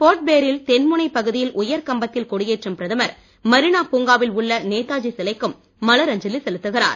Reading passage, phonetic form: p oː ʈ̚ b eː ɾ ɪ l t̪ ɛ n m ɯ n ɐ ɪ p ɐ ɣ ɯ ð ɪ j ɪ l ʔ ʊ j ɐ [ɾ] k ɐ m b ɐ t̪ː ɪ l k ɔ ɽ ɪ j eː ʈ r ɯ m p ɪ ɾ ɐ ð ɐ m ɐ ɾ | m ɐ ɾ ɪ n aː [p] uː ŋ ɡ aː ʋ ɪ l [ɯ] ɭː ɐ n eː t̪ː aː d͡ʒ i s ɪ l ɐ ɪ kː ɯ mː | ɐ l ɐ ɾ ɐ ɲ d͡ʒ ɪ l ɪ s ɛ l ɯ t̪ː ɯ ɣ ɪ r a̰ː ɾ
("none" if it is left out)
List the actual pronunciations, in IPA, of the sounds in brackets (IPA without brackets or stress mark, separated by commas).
ɾ, p, ʊ